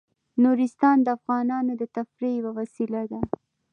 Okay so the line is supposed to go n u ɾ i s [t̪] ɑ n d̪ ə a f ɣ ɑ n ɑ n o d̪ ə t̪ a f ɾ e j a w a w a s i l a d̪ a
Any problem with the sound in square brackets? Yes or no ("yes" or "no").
no